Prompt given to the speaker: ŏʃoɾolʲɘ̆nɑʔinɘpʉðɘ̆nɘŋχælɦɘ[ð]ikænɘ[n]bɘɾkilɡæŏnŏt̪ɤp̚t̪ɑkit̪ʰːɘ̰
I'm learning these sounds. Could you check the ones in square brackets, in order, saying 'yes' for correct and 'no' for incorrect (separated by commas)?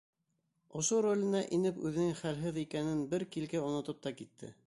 yes, yes